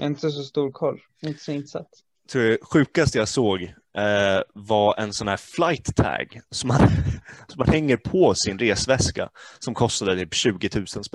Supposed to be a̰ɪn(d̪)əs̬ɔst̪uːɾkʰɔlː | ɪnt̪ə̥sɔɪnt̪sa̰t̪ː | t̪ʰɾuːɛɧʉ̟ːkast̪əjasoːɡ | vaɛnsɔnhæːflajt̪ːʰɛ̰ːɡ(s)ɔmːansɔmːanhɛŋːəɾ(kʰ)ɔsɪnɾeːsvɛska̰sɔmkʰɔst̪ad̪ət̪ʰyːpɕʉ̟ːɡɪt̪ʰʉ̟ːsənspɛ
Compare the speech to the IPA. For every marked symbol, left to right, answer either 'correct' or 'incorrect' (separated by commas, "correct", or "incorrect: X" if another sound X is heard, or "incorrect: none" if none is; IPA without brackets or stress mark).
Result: incorrect: t̪, correct, incorrect: pʰ